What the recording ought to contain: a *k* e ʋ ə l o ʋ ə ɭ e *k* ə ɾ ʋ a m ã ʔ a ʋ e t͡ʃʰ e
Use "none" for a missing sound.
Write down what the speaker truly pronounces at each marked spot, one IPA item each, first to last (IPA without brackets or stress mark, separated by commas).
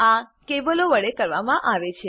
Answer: k, k